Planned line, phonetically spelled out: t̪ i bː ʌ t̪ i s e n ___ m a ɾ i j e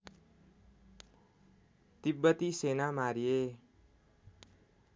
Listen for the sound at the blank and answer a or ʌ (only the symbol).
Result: a